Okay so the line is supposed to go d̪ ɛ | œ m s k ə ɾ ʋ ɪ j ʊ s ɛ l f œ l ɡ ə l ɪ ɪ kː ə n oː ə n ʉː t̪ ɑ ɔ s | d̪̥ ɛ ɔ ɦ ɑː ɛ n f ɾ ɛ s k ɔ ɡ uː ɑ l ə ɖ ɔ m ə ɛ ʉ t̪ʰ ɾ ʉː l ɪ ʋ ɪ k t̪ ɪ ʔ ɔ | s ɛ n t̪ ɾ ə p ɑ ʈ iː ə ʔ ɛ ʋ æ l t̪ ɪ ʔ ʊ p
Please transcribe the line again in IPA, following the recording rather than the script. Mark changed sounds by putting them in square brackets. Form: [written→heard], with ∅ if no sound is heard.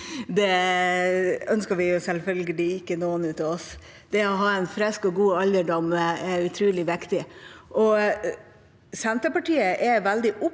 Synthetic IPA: d̪ ɛ | œ [m→n] s k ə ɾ ʋ ɪ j ʊ s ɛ l f œ l ɡ ə l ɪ ɪ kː ə n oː ə n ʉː t̪ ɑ ɔ s | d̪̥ ɛ ɔ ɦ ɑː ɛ n f ɾ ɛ s k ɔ ɡ uː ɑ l ə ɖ ɔ m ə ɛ ʉ t̪ʰ ɾ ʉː l ɪ ʋ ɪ k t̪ ɪ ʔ ɔ | s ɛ n t̪ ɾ ə p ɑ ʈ iː ə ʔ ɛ ʋ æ l [t̪→d̪] ɪ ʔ ʊ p